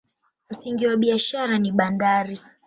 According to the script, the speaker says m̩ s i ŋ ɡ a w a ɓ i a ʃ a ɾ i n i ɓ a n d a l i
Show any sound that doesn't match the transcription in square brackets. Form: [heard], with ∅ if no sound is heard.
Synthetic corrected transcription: m̩ s i ŋ ɡ [i] w a ɓ i a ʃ a ɾ [a] n i ɓ a n d a [ɾ] i

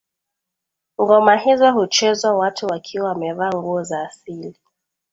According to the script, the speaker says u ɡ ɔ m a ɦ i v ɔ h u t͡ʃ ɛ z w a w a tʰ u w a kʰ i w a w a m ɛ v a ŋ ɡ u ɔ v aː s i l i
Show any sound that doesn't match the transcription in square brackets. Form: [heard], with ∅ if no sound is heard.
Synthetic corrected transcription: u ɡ ɔ m a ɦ i [z] ɔ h u t͡ʃ ɛ z w a w a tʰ u w a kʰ i w a w a m ɛ v a ŋ ɡ u ɔ [z] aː s i l i

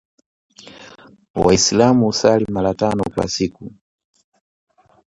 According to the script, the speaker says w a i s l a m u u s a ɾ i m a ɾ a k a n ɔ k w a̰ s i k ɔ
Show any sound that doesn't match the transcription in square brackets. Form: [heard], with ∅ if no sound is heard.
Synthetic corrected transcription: w a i s l a m u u s a [l] i m a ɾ a [t] a n ɔ k w a̰ s i k [u]

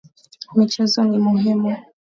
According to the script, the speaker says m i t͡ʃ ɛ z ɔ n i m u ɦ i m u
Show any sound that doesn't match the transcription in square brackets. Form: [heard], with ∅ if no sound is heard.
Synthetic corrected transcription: m i t͡ʃ ɛ z ɔ n i m u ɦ i m u

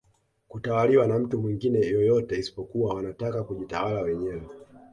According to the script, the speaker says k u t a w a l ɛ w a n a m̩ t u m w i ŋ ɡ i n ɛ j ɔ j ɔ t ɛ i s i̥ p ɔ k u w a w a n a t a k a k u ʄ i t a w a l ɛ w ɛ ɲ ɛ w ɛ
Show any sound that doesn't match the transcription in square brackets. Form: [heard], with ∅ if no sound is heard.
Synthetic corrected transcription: k u t a w a l [i] w a n a m̩ t u m w i ŋ ɡ i n ɛ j ɔ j ɔ t ɛ i s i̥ p ɔ k u w a w a n a t a k a k u ʄ i t a w a l [a] w ɛ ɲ ɛ w ɛ

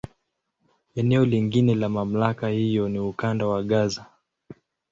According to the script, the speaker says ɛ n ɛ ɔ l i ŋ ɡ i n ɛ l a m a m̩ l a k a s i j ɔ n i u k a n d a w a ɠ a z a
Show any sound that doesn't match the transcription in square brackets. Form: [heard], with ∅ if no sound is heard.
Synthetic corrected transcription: ɛ n ɛ ɔ l i ŋ ɡ i n ɛ l a m a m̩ l a k a [h] i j ɔ n i u k a n d a w a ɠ a z a

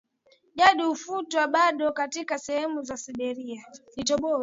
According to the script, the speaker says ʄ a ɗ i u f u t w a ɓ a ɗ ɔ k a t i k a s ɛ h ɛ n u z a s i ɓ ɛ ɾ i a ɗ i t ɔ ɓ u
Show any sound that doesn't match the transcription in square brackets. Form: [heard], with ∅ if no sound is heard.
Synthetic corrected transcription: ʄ a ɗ i u f u t w a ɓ a ɗ ɔ k a t i k a s ɛ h ɛ [m] u z a s i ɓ ɛ ɾ i a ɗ i t ɔ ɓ [ɔ]

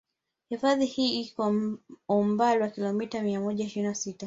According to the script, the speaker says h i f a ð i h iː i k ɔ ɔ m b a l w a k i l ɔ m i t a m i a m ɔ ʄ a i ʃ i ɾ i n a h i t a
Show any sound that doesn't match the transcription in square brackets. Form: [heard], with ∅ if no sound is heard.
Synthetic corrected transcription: h i f a ð i h iː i k ɔ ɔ m b a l w a k i l ɔ m i t a m i a m ɔ ʄ a i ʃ i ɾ i n a [s] i t a

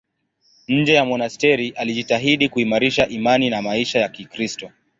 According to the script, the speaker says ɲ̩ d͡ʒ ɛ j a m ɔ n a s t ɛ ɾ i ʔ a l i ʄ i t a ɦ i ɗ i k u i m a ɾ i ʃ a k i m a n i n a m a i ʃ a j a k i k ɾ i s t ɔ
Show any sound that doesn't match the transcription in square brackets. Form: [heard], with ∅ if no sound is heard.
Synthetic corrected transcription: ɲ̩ d͡ʒ ɛ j a m ɔ n a s t ɛ ɾ i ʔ a l i ʄ i t a ɦ i ɗ i k u i m a ɾ i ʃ a [ʔ] i m a n i n a m a i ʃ a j a k i k ɾ i s t ɔ

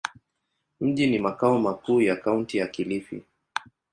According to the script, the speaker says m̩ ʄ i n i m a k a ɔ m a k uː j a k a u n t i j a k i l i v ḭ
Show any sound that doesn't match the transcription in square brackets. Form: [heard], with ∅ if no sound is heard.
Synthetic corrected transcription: m̩ ʄ i n i m a k a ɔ m a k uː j a k a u n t i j a k i l i [f] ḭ

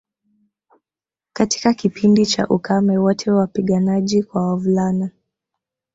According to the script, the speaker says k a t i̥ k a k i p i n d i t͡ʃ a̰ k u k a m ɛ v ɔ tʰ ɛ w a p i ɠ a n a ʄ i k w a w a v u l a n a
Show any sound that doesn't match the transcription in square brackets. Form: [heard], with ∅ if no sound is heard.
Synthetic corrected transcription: k a t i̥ k a k i p i n d i t͡ʃ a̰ [ʔ] u k a m ɛ [w] ɔ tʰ ɛ w a p i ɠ a n a ʄ i k w a w a v u l a n a

